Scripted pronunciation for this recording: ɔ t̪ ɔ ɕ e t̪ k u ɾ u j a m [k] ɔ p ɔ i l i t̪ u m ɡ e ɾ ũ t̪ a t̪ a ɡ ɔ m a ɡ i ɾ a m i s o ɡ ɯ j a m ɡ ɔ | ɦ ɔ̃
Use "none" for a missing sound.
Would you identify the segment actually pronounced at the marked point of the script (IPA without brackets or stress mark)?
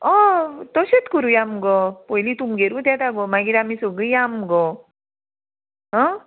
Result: ɡ